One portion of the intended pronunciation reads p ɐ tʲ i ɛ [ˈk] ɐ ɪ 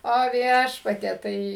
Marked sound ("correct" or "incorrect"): incorrect